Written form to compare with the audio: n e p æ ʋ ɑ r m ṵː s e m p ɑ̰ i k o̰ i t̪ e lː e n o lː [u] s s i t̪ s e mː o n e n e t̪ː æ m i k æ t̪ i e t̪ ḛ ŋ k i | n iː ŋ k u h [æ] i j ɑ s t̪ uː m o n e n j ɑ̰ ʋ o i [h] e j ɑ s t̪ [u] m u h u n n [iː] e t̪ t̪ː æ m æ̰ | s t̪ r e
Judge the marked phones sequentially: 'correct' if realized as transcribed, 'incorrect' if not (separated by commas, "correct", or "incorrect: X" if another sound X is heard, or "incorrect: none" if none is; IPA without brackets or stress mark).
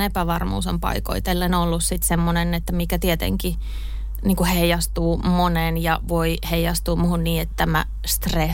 correct, incorrect: e, correct, incorrect: uː, correct